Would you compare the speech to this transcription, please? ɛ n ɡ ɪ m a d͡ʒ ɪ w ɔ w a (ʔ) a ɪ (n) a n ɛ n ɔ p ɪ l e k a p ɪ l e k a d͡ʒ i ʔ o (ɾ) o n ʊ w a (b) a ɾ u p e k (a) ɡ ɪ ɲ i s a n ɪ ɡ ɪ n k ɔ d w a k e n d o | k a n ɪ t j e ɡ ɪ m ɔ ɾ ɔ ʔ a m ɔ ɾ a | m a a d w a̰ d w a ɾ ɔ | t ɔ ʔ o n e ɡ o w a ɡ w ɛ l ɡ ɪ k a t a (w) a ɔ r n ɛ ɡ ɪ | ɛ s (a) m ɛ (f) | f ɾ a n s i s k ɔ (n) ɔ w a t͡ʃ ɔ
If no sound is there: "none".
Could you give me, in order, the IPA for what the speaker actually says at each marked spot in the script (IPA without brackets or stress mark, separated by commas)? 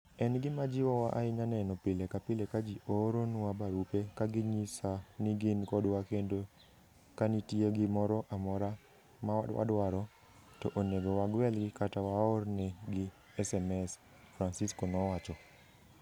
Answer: ʔ, ɲ, ɾ, b, a, w, ɛ, s, n